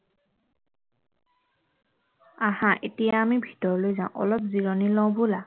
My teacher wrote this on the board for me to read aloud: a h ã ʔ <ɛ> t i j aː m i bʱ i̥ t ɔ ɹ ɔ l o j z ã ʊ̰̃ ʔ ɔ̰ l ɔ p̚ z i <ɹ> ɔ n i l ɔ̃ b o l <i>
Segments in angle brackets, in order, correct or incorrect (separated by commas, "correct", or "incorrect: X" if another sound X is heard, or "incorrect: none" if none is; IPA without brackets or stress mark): incorrect: e, correct, incorrect: a